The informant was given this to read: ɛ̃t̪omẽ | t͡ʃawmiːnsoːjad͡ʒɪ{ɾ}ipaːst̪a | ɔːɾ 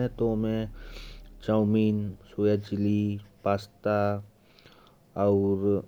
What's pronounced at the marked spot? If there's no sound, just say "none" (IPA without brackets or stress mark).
l